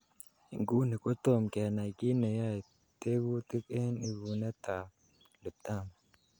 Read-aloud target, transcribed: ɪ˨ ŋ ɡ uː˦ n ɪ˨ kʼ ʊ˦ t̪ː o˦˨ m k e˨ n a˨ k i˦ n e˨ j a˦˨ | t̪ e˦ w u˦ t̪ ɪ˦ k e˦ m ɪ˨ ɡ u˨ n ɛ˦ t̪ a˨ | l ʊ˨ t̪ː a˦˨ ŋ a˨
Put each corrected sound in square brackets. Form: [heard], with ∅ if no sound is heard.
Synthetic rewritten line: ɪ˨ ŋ ɡ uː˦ n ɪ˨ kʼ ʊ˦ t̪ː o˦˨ m k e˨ n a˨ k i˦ n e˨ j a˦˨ | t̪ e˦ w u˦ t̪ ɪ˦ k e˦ [n] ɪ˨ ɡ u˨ n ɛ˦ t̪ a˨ | l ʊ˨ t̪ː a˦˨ [m] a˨